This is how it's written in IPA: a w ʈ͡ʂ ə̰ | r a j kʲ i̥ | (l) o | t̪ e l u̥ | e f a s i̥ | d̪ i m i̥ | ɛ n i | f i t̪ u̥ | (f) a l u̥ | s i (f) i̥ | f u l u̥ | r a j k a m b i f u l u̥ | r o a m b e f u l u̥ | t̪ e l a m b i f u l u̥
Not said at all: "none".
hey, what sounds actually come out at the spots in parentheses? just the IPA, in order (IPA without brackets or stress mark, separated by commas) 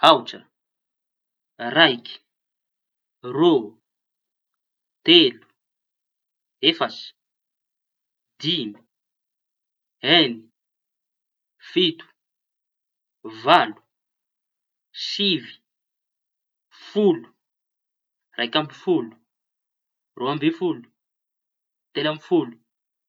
r, v, v